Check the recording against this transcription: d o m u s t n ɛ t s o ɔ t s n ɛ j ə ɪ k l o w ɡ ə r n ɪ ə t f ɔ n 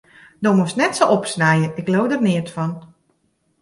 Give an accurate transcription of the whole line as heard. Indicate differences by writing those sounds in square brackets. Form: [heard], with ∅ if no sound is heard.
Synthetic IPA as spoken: d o m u s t n ɛ t s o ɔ [p] s n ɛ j ə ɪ k l o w [d] ə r n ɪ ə t f ɔ n